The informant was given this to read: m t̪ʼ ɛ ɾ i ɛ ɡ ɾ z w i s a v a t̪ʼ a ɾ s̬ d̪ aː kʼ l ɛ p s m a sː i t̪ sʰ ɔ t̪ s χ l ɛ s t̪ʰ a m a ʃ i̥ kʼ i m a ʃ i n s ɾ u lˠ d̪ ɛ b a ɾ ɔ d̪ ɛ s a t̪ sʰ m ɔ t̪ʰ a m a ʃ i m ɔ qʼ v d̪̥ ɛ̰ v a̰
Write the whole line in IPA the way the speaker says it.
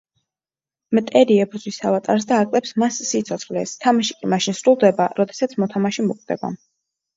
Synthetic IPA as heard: m t̪ʼ ɛ ɾ i ɛ b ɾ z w i s a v a t̪ʼ a ɾ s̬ d̪ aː kʼ l ɛ p s m a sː i t̪ sʰ ɔ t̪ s χ l ɛ s t̪ʰ a m a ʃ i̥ kʼ i m a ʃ i n s ɾ u lˠ d̪ ɛ b a ɾ ɔ d̪ ɛ s a t̪ sʰ m ɔ t̪ʰ a m a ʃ i m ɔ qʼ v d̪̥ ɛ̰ b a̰